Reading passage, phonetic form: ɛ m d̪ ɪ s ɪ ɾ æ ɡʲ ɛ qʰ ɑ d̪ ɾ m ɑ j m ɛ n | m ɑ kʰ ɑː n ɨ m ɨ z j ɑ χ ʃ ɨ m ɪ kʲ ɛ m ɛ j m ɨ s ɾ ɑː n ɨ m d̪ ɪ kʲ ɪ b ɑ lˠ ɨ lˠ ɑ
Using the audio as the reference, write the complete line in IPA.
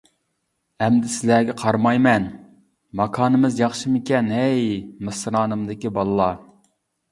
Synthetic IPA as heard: ɛ m d̪ ɪ s ɪ l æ ɡʲ ɛ qʰ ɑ ɾ m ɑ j m ɛ n | m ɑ kʰ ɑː n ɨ m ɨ z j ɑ χ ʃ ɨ m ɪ kʲ ɛ n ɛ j m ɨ s ɾ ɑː n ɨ m d̪ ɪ kʲ i b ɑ lˠ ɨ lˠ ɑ